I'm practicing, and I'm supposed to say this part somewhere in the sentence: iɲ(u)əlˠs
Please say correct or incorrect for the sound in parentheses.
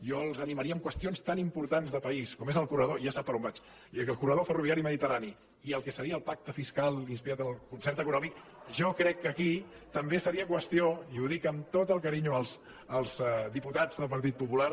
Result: correct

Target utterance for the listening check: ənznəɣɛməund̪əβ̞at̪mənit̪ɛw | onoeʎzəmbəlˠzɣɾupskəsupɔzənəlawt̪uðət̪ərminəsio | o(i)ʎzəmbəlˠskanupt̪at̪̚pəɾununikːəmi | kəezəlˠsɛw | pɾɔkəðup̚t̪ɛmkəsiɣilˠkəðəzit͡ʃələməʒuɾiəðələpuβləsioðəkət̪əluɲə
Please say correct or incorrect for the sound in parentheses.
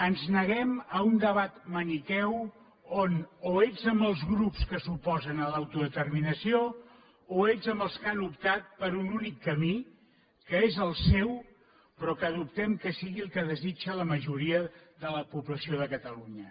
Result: incorrect: e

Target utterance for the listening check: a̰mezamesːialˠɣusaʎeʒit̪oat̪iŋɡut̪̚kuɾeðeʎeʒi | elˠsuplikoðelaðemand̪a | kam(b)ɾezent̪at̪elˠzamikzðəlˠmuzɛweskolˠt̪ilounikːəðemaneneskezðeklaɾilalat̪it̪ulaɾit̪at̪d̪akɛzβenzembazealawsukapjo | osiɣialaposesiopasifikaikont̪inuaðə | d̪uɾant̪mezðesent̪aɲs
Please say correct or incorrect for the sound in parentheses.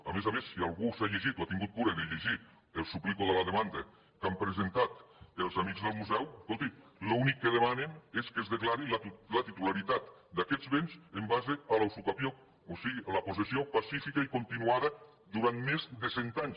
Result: incorrect: p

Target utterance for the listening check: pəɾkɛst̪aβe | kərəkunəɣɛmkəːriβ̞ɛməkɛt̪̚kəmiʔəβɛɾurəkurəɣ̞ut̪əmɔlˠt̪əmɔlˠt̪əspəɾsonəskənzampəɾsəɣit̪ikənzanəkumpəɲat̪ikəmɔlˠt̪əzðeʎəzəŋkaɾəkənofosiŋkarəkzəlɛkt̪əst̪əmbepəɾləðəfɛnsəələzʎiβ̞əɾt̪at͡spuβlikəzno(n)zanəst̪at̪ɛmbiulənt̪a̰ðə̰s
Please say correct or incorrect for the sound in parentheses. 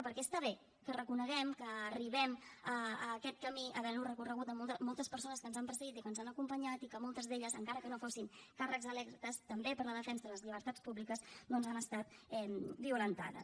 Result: correct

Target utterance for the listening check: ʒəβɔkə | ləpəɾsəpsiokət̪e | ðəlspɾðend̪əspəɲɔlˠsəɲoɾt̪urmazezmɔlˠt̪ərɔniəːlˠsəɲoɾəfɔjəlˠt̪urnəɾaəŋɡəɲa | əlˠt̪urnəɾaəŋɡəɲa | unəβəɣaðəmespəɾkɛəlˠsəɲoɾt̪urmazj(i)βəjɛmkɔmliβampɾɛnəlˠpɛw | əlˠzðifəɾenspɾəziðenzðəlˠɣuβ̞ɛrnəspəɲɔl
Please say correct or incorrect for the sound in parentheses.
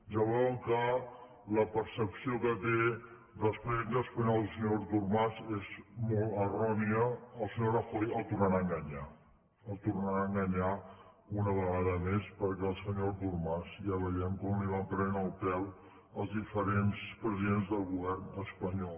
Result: incorrect: a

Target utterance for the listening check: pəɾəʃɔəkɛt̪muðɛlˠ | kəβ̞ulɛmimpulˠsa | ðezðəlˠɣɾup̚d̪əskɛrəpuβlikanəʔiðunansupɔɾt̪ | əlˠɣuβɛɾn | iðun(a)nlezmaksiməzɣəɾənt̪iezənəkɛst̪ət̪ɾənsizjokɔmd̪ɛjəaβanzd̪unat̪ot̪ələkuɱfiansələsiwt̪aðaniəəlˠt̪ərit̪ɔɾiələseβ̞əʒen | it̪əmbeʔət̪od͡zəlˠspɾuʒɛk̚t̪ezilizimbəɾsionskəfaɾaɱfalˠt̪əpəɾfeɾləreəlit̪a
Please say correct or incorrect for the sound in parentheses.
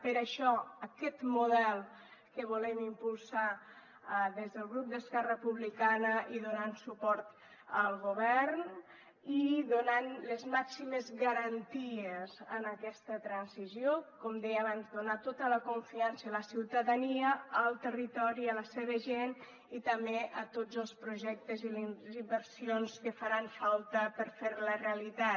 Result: correct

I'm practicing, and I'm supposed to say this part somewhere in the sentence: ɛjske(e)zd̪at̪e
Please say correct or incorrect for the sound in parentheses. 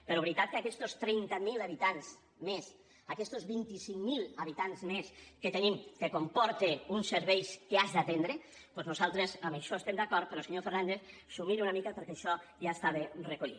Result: incorrect: a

